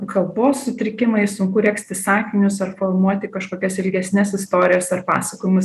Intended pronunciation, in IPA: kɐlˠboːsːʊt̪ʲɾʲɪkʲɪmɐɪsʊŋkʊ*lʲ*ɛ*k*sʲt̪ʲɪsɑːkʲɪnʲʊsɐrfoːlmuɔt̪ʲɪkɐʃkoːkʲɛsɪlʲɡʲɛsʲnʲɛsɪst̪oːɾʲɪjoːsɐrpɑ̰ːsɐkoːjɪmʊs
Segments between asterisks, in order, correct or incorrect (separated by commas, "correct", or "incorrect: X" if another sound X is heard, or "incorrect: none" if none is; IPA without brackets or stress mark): incorrect: ɾʲ, correct